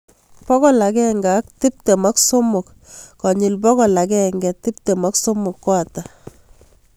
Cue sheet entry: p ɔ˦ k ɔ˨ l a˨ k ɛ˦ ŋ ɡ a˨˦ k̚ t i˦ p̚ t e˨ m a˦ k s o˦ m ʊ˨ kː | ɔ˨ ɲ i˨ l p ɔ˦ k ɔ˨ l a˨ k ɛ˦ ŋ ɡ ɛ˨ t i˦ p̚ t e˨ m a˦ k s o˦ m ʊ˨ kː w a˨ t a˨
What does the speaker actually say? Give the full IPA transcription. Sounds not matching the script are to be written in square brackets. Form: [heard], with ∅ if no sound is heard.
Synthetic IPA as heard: p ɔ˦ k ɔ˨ l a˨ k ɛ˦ ŋ ɡ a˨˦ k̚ t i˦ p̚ t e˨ m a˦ k s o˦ m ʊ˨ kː | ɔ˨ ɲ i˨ l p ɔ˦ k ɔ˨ l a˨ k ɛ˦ ŋ ɡ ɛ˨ t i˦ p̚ t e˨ m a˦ k s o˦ m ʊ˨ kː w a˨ t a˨